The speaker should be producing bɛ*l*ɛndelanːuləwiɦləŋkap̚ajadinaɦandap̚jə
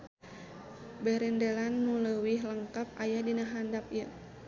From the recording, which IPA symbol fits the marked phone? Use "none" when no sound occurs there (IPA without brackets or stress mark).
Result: ɾ